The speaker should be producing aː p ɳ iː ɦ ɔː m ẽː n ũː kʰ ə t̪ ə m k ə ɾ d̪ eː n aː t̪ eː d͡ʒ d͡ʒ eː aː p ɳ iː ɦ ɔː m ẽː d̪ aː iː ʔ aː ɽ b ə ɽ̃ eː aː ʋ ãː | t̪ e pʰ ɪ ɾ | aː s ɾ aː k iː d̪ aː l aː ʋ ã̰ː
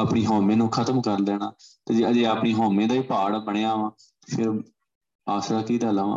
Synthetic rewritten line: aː p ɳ iː ɦ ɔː m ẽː n ũː kʰ ə t̪ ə m k ə ɾ d̪ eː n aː t̪ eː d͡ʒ d͡ʒ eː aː p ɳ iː ɦ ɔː m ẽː d̪ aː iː p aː ɽ b ə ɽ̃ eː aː ʋ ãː | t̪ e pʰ ɪ ɾ | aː s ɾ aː k iː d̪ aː l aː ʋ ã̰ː